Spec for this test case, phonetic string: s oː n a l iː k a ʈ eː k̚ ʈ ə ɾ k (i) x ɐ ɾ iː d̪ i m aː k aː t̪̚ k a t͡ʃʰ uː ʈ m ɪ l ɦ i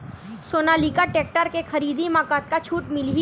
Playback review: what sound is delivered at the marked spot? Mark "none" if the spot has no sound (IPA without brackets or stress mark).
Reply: e